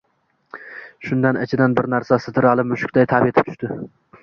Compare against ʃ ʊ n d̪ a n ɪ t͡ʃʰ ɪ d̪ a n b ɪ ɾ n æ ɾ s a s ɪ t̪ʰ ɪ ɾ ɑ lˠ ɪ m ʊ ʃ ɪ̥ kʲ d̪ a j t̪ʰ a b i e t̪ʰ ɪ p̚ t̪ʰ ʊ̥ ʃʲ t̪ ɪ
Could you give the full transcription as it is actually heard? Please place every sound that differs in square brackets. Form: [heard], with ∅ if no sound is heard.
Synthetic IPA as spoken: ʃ ʊ n d̪ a n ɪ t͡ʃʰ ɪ d̪ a n b ɪ ɾ n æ ɾ s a s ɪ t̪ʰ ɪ ɾ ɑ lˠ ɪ m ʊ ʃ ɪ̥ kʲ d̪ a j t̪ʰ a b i e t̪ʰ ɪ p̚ t̪ʰ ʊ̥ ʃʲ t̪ ɪ